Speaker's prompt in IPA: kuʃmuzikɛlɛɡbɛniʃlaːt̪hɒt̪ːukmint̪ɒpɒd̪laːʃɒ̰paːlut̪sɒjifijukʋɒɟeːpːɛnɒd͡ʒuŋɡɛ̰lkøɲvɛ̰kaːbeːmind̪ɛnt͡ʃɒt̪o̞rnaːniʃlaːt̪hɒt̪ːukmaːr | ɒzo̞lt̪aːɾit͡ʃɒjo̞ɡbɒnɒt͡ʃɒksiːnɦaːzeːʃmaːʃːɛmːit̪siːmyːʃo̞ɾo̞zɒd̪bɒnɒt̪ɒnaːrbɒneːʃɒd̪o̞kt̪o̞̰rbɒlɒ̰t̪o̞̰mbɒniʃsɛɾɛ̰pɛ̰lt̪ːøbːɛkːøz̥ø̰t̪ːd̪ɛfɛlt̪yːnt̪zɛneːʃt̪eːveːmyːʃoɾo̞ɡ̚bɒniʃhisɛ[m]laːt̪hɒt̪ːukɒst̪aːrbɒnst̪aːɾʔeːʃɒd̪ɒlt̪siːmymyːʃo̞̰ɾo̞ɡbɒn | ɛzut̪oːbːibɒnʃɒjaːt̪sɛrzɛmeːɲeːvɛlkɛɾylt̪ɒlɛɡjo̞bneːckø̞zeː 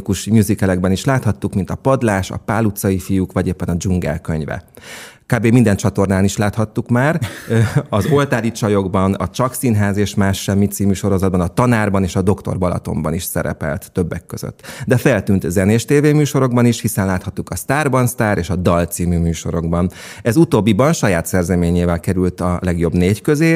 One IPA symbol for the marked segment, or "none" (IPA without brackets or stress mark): n